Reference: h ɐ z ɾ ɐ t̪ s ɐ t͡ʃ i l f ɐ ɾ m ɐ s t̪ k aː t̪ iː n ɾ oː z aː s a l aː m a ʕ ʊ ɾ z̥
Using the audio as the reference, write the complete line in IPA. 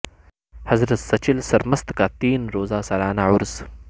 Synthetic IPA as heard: h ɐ z ɾ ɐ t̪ s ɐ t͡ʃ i l s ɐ ɾ m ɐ s t̪ k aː t̪ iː n ɾ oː z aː s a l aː n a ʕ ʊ ɾ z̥